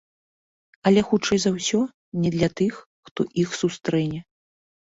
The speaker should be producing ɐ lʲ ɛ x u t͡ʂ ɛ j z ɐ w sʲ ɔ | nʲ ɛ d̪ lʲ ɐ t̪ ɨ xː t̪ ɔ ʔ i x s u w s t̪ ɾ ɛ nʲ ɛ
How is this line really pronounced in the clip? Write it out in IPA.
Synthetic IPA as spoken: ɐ lʲ ɛ x u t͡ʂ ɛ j z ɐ w sʲ ɔ | nʲ ɛ d̪ lʲ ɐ t̪ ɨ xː t̪ ɔ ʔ i x s u s t̪ ɾ ɛ nʲ ɛ

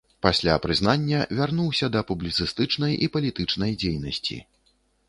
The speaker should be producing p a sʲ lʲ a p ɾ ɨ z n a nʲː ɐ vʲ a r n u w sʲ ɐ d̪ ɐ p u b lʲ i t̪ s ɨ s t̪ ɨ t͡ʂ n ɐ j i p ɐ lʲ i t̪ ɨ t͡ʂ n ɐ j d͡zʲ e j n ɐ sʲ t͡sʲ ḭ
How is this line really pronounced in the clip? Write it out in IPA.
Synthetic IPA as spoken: p a sʲ lʲ a p ɾ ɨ z n a nʲː ɐ vʲ a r n u w sʲ ɐ d̪ ɐ p u b lʲ i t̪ s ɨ s t̪ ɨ t͡ʂ n ɐ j i p ɐ lʲ i t̪ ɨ t͡ʂ n ɐ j d͡zʲ e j n ɐ sʲ t͡sʲ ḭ

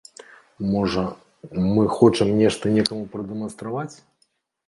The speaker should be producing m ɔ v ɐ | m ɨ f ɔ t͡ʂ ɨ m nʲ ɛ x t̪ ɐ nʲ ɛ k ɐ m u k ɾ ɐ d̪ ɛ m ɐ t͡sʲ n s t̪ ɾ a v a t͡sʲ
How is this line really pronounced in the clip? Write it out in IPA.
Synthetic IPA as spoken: m ɔ ʐ ɐ | m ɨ x ɔ t͡ʂ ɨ m nʲ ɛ ʂ t̪ ɐ nʲ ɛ k ɐ m u p ɾ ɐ d̪ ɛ m ɐ n s t̪ ɾ a v a t͡sʲ

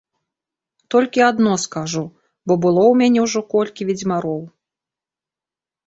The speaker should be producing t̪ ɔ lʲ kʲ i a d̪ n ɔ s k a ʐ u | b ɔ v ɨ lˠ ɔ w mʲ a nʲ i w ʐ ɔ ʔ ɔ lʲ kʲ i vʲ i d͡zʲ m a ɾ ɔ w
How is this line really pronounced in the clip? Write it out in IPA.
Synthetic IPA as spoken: t̪ ɔ lʲ kʲ i a d̪ n ɔ s k a ʐ u | b ɔ b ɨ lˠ ɔ w mʲ a nʲ ɛ w ʐ ɔ k ɔ lʲ kʲ i vʲ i d͡zʲ m a ɾ ɔ w

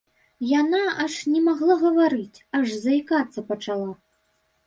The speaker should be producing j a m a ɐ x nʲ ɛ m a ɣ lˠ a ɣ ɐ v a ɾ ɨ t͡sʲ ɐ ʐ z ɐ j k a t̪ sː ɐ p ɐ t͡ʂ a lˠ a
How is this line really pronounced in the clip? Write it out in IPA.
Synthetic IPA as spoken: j a n a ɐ ʂ nʲ ɛ m a ɣ lˠ a ɣ ɐ v a ɾ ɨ t͡sʲ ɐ ʐ z ɐ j k a t̪ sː ɐ p ɐ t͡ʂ a lˠ a

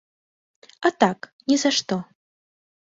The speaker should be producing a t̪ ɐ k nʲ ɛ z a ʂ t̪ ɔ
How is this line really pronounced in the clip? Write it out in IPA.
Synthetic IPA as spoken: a t̪ a k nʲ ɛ z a ʂ t̪ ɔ

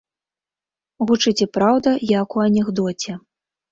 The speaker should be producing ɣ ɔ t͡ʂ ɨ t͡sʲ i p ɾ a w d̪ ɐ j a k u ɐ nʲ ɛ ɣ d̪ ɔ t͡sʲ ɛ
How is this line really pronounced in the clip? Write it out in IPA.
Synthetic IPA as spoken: ɣ u t͡ʂ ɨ t͡sʲ ɛ p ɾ a w d̪ ɐ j a k u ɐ nʲ ɛ ɣ d̪ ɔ t͡sʲ ɛ

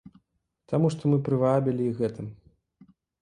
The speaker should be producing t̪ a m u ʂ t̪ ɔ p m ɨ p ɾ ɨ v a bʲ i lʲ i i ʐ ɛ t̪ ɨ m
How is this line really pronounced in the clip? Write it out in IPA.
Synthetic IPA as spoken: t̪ a m u ʂ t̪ ɔ m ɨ p ɾ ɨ v a bʲ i lʲ i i ɣ ɛ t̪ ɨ m

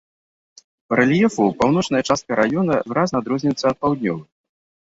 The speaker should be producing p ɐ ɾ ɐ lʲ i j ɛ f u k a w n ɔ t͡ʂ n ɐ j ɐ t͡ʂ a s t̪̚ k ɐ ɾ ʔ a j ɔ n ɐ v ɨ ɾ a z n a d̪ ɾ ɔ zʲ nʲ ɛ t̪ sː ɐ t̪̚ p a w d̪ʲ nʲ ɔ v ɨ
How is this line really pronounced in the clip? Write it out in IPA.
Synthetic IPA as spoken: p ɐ ɾ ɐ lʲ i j ɛ f u p a w n ɔ t͡ʂ n ɐ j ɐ t͡ʂ a s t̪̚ k ɐ ɾ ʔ a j ɔ n ɐ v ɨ ɾ a z n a d̪ ɾ ɔ zʲ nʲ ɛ t̪ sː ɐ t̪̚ p a w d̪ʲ nʲ ɔ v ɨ

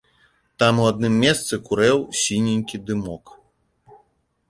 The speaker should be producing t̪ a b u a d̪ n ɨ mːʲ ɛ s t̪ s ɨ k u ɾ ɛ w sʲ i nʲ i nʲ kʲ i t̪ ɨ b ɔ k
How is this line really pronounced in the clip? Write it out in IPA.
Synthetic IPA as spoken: t̪ a m u a d̪ n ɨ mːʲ ɛ s t̪ s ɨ k u ɾ ɛ w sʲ i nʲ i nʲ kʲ i d̪ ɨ m ɔ k

